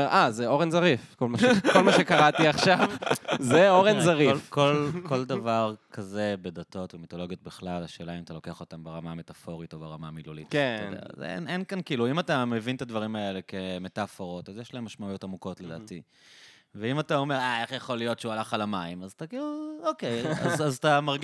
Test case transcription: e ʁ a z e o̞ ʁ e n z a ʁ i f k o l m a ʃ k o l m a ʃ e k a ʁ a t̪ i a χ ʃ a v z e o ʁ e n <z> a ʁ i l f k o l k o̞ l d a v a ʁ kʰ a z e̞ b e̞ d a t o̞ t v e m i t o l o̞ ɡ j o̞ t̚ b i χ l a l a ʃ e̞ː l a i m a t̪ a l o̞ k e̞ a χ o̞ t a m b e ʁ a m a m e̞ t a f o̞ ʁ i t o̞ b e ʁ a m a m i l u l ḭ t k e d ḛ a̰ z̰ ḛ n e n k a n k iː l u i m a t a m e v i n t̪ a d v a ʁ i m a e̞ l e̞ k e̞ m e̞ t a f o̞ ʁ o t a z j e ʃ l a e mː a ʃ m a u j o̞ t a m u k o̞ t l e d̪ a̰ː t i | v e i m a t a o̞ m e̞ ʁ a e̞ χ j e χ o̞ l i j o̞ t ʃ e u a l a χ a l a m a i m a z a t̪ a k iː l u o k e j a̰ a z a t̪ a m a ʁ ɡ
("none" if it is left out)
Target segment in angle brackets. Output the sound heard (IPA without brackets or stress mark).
z